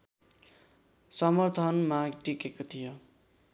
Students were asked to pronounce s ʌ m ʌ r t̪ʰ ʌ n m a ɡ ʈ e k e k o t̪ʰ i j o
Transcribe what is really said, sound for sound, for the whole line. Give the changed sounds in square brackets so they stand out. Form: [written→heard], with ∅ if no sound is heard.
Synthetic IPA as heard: s ʌ m ʌ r t̪ʰ ʌ n m a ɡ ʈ [e→i] k e k o t̪ʰ i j o